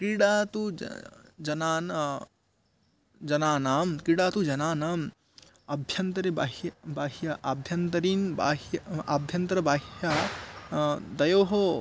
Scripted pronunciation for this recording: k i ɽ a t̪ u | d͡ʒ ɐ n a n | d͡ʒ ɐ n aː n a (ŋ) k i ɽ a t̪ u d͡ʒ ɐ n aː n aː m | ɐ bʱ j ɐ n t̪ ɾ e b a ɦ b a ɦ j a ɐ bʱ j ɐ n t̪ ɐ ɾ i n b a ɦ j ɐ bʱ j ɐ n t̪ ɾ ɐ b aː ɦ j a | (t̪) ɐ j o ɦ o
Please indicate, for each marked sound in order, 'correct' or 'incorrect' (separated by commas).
incorrect, incorrect